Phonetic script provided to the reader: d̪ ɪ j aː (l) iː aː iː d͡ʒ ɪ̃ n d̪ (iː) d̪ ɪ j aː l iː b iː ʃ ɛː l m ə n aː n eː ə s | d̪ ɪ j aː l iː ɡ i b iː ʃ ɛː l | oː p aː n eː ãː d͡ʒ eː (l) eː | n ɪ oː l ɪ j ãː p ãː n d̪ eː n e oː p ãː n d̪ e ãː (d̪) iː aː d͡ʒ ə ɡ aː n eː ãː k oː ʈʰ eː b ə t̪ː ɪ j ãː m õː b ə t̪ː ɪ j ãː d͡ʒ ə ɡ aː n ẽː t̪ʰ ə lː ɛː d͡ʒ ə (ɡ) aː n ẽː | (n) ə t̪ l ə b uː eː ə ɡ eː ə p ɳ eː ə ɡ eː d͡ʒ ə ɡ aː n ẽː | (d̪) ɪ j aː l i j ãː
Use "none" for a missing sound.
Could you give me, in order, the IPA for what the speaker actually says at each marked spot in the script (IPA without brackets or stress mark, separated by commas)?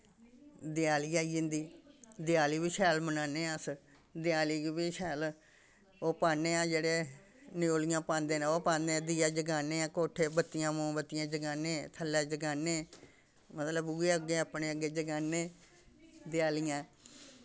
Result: l, iː, ɽ, d̪, ɡ, m, d̪